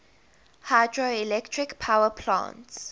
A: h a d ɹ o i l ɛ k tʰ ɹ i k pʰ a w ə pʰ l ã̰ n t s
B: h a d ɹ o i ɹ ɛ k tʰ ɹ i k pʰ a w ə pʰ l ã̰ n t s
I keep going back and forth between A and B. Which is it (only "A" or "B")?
A